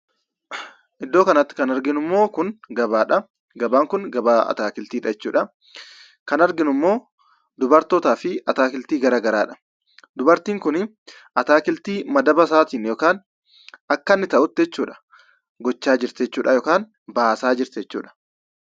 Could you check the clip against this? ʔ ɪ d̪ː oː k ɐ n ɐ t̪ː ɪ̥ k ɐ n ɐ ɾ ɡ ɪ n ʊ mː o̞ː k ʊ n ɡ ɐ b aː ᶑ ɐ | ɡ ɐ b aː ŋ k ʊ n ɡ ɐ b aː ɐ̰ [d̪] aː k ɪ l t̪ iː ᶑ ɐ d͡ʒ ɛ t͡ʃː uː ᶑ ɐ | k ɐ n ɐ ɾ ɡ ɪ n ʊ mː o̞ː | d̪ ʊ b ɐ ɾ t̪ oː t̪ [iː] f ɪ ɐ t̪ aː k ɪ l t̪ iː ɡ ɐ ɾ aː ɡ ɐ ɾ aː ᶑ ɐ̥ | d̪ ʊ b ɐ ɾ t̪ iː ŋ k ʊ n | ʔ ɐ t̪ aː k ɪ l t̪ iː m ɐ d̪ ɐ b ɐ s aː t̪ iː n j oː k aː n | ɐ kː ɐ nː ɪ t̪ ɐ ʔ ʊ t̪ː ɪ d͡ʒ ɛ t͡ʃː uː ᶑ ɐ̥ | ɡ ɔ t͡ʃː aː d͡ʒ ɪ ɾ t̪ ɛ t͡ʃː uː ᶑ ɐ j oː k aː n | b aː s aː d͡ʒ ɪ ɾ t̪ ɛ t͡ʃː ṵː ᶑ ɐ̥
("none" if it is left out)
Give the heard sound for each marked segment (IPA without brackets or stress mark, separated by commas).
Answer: t̪, aː